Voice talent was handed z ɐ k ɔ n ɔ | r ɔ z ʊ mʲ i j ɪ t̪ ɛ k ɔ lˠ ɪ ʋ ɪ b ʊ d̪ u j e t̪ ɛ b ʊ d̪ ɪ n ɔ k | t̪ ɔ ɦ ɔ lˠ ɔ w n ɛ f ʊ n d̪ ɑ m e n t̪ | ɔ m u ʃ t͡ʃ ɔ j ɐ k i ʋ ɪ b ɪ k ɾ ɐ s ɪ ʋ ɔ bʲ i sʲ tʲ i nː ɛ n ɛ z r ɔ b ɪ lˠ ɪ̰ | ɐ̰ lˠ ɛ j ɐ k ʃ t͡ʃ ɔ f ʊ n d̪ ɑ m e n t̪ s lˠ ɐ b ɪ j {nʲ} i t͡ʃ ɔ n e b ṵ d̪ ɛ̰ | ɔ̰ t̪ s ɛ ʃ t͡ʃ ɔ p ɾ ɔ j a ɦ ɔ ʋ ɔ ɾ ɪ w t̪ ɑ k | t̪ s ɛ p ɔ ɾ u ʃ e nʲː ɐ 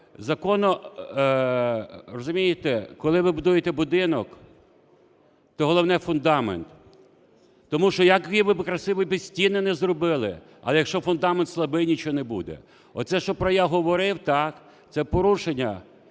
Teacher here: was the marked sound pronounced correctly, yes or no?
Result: yes